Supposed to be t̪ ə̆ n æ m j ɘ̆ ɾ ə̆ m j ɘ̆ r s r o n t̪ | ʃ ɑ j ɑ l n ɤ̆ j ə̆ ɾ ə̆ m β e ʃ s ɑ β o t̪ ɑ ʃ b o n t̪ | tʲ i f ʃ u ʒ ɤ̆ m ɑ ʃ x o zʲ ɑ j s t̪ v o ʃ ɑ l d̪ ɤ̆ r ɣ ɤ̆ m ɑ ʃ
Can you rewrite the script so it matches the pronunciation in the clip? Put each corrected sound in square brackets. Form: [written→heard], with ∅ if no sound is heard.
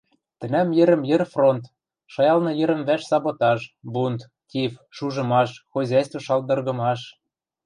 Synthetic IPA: t̪ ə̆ n æ m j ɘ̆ ɾ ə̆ m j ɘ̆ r [s→f] r o n t̪ | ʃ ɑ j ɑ l n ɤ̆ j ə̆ ɾ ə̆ m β [e→æ] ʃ s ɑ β o t̪ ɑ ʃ b [o→u] n t̪ | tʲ i f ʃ u ʒ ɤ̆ m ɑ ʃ x o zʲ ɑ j s t̪ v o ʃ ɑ l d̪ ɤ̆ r ɣ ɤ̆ m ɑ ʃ